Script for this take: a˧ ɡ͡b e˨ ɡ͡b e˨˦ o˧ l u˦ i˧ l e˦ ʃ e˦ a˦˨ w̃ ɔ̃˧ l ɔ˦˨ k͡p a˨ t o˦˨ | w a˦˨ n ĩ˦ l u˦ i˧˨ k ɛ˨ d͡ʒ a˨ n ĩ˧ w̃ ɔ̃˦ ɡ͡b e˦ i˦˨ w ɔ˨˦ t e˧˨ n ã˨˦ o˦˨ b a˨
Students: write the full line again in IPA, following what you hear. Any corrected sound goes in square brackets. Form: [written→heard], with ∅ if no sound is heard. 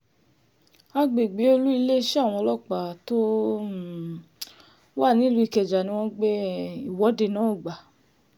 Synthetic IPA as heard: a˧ ɡ͡b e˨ ɡ͡b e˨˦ o˧ l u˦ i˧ l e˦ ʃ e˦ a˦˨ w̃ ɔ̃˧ l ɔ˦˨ k͡p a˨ t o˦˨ | w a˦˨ n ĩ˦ l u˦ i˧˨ k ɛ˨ d͡ʒ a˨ n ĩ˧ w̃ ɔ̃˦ ɡ͡b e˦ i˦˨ w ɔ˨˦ [t→d] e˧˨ n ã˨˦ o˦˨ [b→ɡ͡b] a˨